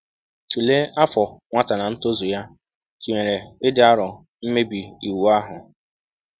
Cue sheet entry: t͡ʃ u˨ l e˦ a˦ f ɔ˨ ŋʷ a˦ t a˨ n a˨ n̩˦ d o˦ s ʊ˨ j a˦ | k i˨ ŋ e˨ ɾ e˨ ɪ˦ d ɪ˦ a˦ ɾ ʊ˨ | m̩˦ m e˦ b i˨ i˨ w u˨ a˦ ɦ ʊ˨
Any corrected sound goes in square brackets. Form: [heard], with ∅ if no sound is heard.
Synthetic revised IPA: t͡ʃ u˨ l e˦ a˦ f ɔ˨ ŋʷ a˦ t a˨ n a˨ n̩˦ [t] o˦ [z] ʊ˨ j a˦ | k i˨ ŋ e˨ ɾ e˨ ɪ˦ d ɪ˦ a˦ ɾ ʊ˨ | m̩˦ m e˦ b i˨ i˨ w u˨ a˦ ɦ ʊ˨